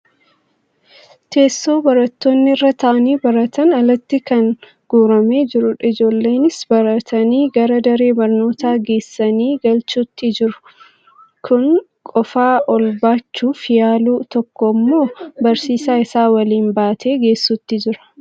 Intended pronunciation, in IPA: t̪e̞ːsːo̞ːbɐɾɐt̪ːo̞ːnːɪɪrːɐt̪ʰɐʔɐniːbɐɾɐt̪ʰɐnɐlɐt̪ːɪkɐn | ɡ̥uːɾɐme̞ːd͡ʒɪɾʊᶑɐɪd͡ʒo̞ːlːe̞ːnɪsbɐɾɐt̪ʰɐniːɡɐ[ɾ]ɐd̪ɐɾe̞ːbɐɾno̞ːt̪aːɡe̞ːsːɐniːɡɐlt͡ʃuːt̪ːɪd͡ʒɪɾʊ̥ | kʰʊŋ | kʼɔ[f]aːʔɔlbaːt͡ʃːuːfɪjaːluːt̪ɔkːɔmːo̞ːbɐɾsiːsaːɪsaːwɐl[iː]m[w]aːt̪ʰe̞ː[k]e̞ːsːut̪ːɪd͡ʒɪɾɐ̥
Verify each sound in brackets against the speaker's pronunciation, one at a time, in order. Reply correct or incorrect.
correct, correct, correct, incorrect, incorrect

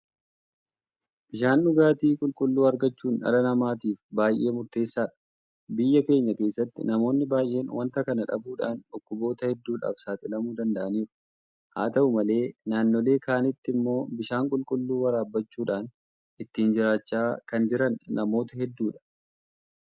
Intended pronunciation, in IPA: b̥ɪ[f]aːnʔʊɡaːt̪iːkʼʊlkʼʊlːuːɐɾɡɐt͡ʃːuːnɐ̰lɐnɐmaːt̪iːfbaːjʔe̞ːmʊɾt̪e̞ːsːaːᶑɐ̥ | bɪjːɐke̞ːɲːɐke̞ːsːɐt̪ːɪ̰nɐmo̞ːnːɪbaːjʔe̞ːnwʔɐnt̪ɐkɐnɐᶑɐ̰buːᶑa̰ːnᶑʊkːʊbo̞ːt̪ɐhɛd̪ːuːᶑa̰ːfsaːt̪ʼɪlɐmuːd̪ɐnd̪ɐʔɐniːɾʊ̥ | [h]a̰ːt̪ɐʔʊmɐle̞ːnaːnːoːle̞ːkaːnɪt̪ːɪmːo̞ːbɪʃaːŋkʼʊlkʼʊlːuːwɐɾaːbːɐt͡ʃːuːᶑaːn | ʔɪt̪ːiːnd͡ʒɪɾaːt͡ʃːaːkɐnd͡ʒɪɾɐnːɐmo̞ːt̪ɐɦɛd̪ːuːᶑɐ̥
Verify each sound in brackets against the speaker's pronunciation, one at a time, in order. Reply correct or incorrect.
incorrect, correct

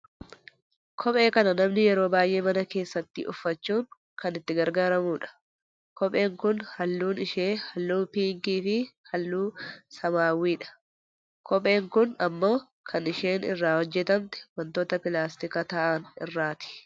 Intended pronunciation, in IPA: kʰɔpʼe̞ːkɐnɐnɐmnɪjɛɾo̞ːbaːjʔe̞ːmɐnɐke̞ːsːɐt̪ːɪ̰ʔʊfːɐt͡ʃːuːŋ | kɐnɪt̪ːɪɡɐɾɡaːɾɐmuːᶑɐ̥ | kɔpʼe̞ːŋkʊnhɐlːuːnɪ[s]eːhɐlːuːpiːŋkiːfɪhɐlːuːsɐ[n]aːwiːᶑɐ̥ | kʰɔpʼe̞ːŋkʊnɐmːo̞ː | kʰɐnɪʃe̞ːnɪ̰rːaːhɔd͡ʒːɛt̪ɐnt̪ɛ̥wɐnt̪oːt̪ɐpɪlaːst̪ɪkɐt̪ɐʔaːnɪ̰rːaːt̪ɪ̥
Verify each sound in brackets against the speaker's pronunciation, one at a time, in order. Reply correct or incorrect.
incorrect, incorrect

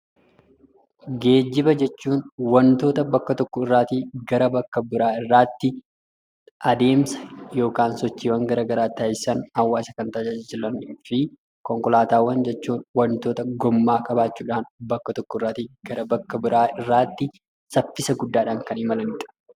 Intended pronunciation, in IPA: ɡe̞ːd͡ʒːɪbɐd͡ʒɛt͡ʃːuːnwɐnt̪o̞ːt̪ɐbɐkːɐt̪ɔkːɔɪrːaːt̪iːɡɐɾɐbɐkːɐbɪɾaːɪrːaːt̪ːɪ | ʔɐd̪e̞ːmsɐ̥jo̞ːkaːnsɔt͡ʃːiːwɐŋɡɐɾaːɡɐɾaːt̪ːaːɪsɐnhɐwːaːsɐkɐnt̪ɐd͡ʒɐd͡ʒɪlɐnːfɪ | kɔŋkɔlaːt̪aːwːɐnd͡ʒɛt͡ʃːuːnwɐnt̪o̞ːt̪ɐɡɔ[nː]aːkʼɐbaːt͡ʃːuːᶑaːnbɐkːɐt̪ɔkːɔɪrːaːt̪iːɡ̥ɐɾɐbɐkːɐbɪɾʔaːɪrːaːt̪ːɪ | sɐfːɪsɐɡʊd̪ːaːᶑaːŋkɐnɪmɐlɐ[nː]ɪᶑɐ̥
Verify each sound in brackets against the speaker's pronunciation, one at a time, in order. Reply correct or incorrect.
incorrect, incorrect

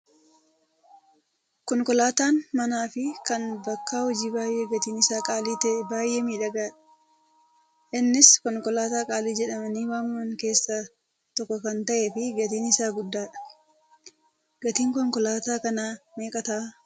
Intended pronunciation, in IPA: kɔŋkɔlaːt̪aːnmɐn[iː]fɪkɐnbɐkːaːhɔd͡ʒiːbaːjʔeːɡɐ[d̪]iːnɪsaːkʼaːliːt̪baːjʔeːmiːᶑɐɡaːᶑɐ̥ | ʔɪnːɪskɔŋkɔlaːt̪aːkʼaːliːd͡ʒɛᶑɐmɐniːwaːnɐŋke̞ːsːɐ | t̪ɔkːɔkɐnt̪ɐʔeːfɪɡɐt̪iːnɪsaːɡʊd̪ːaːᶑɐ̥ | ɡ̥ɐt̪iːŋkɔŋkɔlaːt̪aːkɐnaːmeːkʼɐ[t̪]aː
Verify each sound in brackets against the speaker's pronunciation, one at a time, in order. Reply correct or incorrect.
incorrect, incorrect, correct

